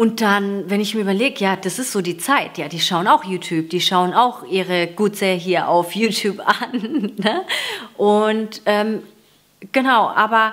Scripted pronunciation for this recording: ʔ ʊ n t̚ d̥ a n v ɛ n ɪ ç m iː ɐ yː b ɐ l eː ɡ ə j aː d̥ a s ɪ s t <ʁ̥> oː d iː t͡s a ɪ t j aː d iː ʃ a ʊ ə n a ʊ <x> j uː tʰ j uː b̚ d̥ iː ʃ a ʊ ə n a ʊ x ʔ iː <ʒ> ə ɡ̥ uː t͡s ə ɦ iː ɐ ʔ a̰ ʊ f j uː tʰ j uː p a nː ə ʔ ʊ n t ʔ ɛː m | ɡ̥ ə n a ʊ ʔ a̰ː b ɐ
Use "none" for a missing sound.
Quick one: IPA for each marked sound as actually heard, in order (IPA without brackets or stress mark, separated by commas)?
z̥, x, ʁ